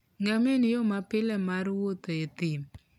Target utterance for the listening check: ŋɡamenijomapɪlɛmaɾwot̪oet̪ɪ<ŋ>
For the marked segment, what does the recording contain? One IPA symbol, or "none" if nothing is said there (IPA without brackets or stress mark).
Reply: m